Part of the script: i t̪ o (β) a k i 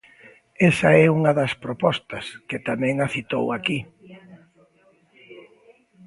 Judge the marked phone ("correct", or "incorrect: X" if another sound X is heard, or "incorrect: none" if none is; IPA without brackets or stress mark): incorrect: w